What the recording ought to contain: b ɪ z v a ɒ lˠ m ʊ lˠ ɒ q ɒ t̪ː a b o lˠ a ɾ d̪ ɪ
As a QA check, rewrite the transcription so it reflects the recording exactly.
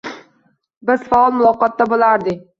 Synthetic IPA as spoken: b ɪ z f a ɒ lˠ m ʊ lˠ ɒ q ɒ t̪ː a b o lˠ a ɾ d̪ ɪ